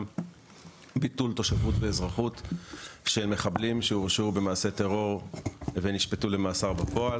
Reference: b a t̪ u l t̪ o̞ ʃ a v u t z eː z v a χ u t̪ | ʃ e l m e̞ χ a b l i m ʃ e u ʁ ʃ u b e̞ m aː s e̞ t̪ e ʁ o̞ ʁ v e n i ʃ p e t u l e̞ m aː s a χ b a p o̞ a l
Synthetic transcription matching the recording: b i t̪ u l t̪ o̞ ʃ a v u t v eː z ʁ a χ u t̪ | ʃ e l m e̞ χ a b l i m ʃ e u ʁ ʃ u b e̞ m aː s e̞ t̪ e ʁ o̞ ʁ v e n i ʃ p e t u l e̞ m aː s a ʁ b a p o̞ a l